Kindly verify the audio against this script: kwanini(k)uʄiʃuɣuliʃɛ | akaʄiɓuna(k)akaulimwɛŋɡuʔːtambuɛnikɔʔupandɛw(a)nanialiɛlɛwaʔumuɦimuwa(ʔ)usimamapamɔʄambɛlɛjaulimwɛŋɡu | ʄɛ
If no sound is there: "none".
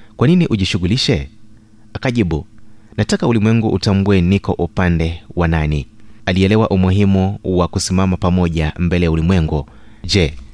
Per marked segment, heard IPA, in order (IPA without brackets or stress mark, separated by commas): ʔ, t, a, k